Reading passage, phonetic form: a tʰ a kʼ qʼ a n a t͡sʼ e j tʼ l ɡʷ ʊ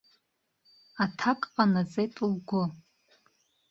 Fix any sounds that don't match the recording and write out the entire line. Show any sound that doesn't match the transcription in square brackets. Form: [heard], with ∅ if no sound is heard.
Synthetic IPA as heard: a tʰ a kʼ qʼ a n a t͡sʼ e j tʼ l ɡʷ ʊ